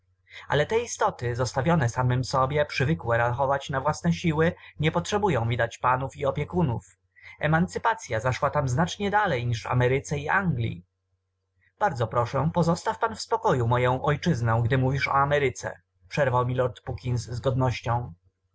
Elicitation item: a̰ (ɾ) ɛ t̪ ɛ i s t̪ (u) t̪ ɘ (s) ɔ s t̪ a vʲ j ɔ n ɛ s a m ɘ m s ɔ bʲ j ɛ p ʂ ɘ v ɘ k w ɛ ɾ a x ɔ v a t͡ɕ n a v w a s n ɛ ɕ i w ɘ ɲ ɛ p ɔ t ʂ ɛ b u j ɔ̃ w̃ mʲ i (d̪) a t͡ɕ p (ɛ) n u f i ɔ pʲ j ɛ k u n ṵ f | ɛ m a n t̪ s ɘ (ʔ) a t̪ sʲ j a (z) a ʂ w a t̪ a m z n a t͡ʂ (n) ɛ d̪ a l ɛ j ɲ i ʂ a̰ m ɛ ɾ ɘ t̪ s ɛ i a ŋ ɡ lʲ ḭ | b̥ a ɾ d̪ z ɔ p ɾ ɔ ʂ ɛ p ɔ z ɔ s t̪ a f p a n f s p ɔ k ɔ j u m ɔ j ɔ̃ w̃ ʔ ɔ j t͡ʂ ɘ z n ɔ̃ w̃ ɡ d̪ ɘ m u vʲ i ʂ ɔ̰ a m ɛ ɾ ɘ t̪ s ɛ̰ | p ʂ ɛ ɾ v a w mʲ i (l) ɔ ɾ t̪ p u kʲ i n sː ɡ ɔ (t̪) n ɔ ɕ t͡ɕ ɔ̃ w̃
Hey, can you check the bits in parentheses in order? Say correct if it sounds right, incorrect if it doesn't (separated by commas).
incorrect, incorrect, incorrect, correct, incorrect, incorrect, correct, incorrect, correct, incorrect